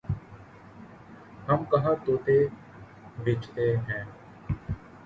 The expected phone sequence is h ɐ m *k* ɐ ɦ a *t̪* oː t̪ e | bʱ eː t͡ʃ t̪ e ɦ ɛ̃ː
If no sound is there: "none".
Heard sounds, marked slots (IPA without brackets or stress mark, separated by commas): k, t̪